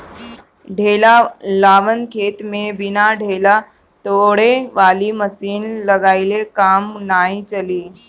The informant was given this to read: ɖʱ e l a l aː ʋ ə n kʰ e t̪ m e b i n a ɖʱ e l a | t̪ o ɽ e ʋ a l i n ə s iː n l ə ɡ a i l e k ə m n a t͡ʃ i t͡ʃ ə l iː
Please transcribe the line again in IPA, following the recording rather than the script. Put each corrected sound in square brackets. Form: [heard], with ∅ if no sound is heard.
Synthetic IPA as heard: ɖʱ e l a l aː ʋ ə n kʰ e t̪ m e b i n a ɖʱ e l a | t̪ o ɽ e ʋ a l i [m] ə s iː n l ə ɡ a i l e k [a] m n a [∅] i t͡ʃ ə l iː